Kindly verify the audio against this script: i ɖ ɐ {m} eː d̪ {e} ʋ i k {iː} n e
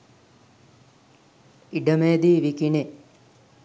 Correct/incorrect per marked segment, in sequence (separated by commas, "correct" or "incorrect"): correct, incorrect, incorrect